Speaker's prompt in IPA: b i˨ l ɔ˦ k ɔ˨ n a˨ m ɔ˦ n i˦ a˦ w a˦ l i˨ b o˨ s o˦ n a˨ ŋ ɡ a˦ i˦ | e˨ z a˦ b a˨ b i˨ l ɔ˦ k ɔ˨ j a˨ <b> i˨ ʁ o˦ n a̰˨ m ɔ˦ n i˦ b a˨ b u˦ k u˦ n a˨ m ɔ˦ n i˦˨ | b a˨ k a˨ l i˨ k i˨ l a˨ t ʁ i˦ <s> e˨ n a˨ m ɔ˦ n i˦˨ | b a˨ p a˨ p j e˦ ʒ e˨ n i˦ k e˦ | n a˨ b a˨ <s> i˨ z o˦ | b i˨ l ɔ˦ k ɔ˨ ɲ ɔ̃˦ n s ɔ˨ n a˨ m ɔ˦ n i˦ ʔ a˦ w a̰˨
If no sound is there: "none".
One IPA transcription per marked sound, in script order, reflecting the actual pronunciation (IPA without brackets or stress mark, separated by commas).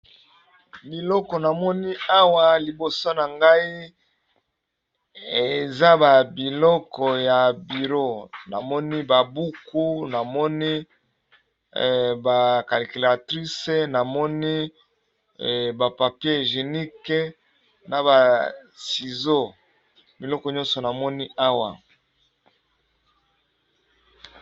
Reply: b, s, s